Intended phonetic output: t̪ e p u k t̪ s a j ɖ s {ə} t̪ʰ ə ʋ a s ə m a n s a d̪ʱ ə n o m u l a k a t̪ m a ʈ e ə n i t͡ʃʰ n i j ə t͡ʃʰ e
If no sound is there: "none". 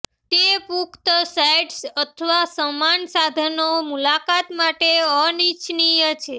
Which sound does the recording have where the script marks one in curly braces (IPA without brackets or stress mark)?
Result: ə